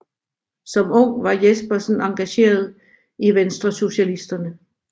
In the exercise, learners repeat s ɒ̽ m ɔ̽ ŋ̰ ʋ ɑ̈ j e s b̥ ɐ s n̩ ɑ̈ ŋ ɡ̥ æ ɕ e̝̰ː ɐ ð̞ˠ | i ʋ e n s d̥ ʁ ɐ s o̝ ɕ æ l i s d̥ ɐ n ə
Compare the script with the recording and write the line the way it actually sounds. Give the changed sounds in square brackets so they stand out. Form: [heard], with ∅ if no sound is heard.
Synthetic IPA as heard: s ɒ̽ m ɔ̽ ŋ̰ ʋ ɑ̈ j e s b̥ ɐ s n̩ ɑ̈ ŋ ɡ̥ æ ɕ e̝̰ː ɐ ð̞ˠ | i ʋ e n s d̥ ʁ ɐ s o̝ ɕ æ l i s d̥ ɐ n ə